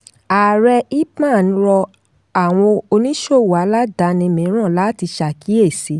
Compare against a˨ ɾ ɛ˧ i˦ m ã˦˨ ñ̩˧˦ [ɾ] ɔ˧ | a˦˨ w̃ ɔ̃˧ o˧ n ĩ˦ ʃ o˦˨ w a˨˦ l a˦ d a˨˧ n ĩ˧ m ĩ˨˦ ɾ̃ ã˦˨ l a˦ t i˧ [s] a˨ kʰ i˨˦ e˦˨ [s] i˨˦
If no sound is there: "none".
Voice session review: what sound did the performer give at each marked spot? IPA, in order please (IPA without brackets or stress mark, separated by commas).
ɾ, ʃ, s